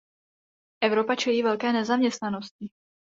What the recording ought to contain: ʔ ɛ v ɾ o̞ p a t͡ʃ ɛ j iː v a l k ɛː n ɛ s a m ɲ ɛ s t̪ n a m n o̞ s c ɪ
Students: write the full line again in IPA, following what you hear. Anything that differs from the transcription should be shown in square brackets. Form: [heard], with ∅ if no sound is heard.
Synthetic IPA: ʔ ɛ v ɾ o̞ p a t͡ʃ ɛ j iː v [ɛ] l k ɛː n ɛ [z] a m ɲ ɛ s t̪ n a [∅] n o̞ s c ɪ